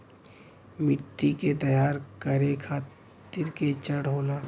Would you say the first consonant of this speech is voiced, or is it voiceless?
voiced